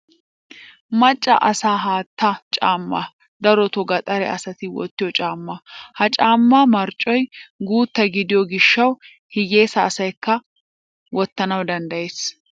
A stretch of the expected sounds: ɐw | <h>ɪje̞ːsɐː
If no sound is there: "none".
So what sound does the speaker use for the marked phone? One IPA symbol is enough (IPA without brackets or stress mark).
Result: h